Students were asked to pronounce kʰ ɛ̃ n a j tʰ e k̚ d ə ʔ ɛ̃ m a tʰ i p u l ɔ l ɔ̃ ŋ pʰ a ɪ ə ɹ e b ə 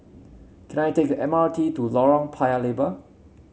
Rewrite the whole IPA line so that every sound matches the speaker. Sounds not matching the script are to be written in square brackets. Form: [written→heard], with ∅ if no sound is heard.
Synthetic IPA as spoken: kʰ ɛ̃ n a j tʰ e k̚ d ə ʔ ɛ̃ m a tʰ i [p→t] u l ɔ [l→ɹ] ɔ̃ ŋ pʰ a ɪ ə [ɹ→l] e b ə